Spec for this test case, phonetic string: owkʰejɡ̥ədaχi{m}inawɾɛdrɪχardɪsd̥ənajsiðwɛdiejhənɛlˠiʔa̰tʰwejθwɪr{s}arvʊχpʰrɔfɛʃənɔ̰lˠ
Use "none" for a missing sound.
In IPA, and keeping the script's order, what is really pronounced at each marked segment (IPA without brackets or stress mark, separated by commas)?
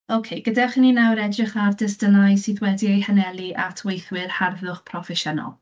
n, h